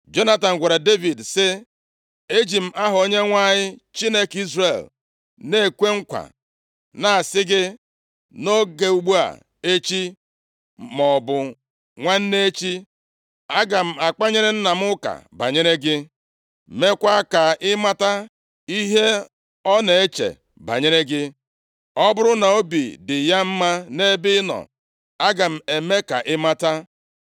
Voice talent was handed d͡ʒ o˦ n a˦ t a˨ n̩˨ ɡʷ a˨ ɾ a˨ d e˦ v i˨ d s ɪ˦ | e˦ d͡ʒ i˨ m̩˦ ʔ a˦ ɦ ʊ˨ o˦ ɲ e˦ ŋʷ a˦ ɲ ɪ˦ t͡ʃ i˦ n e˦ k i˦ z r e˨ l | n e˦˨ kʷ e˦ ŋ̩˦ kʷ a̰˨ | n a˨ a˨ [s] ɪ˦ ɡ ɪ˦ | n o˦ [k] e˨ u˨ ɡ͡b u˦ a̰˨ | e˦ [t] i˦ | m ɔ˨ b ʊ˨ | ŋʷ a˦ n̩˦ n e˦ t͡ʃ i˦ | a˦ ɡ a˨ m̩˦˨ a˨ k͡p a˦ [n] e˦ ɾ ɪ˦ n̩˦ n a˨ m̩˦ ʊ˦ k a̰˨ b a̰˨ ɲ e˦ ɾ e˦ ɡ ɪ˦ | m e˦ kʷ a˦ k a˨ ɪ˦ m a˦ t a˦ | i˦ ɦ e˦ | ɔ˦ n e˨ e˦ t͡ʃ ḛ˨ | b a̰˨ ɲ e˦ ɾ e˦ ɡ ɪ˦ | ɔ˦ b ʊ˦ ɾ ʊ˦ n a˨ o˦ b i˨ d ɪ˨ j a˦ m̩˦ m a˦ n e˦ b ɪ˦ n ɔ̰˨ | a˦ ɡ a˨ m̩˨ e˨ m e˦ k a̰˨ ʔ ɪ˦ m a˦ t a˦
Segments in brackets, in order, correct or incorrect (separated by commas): correct, incorrect, incorrect, incorrect